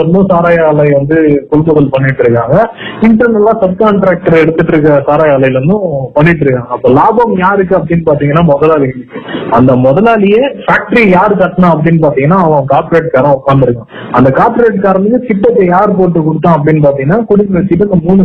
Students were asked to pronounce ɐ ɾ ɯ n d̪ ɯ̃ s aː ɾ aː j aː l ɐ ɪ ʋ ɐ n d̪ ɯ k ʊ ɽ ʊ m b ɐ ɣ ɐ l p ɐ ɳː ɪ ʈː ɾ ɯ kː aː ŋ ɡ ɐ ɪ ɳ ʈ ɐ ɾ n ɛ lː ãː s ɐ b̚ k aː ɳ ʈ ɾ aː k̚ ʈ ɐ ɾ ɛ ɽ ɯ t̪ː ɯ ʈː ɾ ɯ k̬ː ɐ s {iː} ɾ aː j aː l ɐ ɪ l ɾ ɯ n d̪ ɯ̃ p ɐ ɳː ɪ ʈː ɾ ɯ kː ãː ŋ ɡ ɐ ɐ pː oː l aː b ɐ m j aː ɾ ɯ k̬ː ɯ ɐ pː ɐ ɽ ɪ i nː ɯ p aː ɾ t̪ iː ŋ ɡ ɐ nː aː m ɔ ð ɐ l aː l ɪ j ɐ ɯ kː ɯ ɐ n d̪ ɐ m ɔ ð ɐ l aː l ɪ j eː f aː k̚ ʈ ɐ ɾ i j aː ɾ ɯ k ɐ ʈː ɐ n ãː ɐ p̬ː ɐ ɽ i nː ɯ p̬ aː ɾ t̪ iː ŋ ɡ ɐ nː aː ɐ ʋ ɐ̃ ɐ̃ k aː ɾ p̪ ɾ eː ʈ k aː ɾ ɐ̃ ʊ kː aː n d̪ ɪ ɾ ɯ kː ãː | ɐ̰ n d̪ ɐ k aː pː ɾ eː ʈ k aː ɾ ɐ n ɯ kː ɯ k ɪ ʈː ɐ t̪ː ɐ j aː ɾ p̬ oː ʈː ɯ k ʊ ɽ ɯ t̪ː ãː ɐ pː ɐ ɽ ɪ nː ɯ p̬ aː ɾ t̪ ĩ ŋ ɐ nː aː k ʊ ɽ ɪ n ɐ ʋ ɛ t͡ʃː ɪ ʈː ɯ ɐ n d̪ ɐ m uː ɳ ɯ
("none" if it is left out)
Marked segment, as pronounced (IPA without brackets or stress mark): aː